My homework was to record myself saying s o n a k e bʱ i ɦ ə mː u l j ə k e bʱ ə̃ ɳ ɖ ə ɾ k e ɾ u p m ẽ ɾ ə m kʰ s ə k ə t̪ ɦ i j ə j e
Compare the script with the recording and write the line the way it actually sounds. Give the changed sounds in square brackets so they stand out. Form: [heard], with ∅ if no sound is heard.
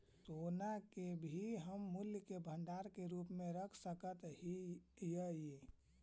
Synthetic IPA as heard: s o n a k e bʱ i ɦ ə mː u l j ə k e bʱ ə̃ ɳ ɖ [a] ɾ k e ɾ u p m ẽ ɾ ə [∅] kʰ s ə k ə t̪ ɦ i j ə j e